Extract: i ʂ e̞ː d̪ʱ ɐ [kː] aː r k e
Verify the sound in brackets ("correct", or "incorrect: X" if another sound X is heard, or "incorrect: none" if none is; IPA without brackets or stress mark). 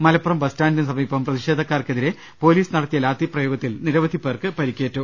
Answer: correct